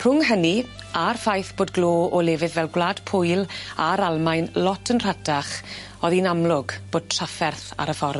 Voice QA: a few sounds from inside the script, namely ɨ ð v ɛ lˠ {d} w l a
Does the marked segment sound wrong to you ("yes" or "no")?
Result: yes